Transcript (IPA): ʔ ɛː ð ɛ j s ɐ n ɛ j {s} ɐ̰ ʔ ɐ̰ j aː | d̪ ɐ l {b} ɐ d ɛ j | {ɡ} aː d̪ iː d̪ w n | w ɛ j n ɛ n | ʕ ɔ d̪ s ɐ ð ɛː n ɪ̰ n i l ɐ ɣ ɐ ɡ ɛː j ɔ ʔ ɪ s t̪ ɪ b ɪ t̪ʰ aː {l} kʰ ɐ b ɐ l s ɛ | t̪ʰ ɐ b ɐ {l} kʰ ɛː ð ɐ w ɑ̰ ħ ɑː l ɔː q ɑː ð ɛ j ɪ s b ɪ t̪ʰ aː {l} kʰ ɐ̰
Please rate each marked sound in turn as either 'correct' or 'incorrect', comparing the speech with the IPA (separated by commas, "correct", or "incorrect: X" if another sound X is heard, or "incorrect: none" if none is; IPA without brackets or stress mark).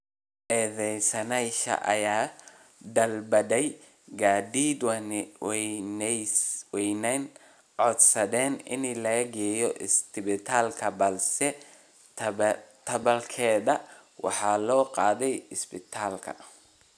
incorrect: ʃ, correct, correct, correct, correct, correct